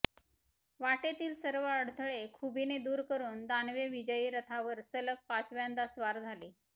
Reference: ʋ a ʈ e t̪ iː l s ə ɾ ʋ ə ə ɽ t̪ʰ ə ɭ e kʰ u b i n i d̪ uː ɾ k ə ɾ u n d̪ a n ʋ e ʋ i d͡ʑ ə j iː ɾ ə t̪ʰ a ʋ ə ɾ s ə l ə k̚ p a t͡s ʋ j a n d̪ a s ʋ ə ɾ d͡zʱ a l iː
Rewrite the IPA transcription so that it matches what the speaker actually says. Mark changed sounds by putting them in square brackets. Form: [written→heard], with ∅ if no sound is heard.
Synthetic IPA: ʋ a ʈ e t̪ iː l s ə ɾ ʋ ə ə ɽ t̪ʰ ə ɭ e kʰ u b i n [i→e] d̪ uː ɾ k ə ɾ [u→uː] n d̪ a n ʋ e ʋ i d͡ʑ ə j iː ɾ ə t̪ʰ a ʋ ə ɾ s ə l ə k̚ p a t͡s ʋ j a n d̪ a s ʋ [ə→a] ɾ d͡zʱ a l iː

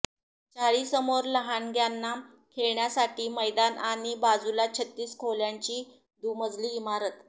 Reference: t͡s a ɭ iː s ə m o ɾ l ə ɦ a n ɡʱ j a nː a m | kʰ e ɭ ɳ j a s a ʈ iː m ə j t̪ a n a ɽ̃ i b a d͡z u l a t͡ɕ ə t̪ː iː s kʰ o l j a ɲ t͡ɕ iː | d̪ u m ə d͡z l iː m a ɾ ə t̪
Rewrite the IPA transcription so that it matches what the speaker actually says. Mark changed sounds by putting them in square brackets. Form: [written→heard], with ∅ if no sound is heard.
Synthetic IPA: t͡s a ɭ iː s ə m o ɾ l ə ɦ a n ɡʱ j a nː a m | kʰ e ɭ ɳ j a s a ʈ iː m ə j [t̪→d̪] a n a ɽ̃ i b a d͡z u l a [t͡ɕ→t͡ɕʰ] ə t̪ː iː s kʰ o l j a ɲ t͡ɕ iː | d̪ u m ə d͡z l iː m a ɾ ə t̪

